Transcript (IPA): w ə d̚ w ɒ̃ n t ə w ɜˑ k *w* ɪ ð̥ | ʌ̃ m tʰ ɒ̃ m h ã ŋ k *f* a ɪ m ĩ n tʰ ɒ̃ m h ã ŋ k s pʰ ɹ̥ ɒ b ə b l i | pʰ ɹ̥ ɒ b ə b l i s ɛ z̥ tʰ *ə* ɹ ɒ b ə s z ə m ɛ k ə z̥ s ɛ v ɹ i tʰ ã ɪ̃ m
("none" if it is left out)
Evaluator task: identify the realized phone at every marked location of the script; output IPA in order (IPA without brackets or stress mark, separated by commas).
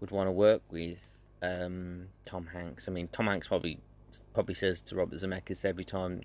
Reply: w, s, ə